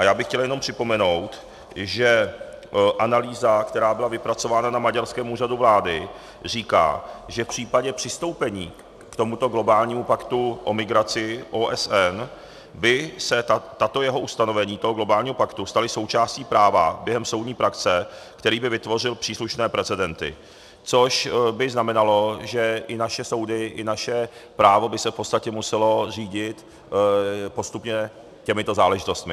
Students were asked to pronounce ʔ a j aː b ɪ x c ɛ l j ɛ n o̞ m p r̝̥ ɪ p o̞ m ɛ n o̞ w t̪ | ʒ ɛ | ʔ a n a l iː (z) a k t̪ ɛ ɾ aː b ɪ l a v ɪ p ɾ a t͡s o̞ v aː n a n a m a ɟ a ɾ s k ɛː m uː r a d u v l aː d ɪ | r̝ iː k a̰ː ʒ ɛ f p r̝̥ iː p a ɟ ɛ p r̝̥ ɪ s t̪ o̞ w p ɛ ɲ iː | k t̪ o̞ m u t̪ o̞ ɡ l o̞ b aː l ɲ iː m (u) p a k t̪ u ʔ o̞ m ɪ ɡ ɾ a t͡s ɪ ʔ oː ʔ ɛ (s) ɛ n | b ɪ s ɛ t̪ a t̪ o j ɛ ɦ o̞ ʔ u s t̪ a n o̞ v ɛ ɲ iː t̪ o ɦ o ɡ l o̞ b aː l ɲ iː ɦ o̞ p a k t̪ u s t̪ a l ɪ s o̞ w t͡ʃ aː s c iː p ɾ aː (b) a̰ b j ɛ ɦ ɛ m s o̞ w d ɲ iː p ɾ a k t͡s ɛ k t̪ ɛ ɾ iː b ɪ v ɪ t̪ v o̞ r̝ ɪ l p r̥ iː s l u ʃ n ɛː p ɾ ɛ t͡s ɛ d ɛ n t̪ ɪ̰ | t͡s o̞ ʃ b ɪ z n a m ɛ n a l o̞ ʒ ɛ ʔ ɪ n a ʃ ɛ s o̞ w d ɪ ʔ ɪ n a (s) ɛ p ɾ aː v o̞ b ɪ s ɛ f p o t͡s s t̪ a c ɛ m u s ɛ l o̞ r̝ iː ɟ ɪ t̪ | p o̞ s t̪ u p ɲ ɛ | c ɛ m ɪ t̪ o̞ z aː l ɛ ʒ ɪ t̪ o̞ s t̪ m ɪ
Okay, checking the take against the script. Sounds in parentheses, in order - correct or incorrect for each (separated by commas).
correct, correct, correct, incorrect, incorrect